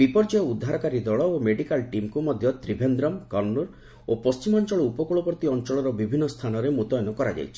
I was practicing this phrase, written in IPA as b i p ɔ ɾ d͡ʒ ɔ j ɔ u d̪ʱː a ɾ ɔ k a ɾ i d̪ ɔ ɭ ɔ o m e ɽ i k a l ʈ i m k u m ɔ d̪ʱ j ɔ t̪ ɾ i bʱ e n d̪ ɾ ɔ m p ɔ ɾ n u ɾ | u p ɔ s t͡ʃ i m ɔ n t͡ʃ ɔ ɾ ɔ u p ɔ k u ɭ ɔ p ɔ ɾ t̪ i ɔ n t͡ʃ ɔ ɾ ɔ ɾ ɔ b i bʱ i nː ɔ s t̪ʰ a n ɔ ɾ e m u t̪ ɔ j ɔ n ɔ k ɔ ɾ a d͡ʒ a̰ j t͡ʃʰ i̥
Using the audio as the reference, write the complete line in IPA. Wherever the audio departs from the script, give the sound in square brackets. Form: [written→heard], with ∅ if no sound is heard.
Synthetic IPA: b i p ɔ ɾ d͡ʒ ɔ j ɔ u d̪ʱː a ɾ ɔ k a ɾ i d̪ ɔ ɭ ɔ o m e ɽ i k a l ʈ i m k u m ɔ d̪ʱ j ɔ t̪ ɾ i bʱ e n d̪ ɾ ɔ m [p→k] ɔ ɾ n u ɾ | [u→o] p ɔ s t͡ʃ i m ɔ n t͡ʃ ɔ [ɾ→ɭ] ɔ u p ɔ k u ɭ ɔ p ɔ ɾ t̪ i ɔ n t͡ʃ ɔ [ɾ→ɭ] ɔ ɾ ɔ b i bʱ i nː ɔ s t̪ʰ a n ɔ ɾ e m u t̪ ɔ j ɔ n ɔ k ɔ ɾ a d͡ʒ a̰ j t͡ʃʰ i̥